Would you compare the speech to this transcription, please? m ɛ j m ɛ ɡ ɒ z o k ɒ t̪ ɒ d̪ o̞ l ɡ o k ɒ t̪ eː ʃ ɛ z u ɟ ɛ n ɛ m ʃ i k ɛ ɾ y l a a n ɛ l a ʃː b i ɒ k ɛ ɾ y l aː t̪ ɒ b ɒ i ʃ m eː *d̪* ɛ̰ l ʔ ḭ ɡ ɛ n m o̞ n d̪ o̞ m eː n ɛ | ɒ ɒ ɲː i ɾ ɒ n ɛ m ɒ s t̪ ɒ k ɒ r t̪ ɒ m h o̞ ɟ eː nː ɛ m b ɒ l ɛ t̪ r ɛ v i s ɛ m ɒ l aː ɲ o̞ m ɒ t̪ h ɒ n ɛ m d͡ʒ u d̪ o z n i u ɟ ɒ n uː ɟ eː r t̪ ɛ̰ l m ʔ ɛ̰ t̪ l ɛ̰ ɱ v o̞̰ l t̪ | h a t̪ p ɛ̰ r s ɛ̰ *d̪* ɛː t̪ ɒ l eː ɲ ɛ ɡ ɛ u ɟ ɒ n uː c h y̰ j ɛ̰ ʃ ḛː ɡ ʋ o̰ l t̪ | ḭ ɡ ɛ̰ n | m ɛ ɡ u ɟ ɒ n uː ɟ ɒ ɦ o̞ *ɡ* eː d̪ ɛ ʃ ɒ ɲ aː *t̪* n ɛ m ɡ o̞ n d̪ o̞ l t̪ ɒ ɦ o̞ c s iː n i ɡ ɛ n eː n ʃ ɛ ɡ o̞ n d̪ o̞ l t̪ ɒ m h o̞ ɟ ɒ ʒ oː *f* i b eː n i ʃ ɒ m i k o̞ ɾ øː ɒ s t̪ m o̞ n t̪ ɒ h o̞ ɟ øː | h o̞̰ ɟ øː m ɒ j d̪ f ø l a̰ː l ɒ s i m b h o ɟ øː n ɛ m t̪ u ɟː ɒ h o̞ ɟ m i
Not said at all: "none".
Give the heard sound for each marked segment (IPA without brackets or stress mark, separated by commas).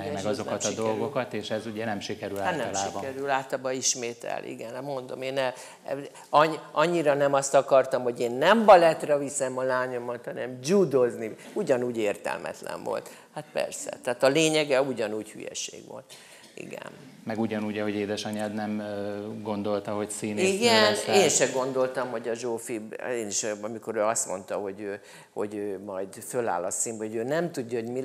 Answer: t̪, t̪, ɟ, d̪, f